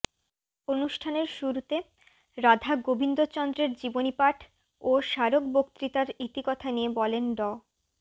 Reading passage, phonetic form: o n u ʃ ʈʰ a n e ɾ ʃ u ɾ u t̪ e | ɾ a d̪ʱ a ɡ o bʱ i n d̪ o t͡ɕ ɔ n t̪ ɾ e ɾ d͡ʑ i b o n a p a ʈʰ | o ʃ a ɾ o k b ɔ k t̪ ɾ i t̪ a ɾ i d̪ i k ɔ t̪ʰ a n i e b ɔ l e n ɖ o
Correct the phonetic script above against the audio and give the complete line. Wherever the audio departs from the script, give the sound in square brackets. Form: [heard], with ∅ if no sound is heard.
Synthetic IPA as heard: o n u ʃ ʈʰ a n e ɾ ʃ u ɾ u t̪ e | ɾ a d̪ʱ a ɡ o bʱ i n d̪ o t͡ɕ ɔ n [d̪] ɾ e ɾ d͡ʑ i b o n [i] p a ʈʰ | o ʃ a ɾ o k b [o] k t̪ ɾ i t̪ a ɾ i [t̪] i k ɔ t̪ʰ a n i e b ɔ l e n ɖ [ɔ]